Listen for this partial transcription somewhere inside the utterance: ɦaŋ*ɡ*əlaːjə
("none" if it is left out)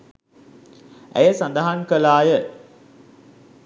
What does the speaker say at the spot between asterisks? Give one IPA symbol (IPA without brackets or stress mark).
k